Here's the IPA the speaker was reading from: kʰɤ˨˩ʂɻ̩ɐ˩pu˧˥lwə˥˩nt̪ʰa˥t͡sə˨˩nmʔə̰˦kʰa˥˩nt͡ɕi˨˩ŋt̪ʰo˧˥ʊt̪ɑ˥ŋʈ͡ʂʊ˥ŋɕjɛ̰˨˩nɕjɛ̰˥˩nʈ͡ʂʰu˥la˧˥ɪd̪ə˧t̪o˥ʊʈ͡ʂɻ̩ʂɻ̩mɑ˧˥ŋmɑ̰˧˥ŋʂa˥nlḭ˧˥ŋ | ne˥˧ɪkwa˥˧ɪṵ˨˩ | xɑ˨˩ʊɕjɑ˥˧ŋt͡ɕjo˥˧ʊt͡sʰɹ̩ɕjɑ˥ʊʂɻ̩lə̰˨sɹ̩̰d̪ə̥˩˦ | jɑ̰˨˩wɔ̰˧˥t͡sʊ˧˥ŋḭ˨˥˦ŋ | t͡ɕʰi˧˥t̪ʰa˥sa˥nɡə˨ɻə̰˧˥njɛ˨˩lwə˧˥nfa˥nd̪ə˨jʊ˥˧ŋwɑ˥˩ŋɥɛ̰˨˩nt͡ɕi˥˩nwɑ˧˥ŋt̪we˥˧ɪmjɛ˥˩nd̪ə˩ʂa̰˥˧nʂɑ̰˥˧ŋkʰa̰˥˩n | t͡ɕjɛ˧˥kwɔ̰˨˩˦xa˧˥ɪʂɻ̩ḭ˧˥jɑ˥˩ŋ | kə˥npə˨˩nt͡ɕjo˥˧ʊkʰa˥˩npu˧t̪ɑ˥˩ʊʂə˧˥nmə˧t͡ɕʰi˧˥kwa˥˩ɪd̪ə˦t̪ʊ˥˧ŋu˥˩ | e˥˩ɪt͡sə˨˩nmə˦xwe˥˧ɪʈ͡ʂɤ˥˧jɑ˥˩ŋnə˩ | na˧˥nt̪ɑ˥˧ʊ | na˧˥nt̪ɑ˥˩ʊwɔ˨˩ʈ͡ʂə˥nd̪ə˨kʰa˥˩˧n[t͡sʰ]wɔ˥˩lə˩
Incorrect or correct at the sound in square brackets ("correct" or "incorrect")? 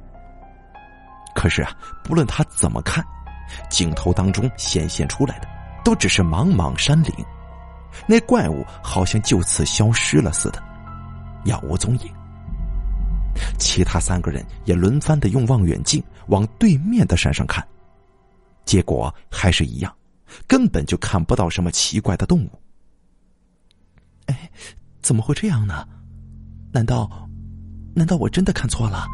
correct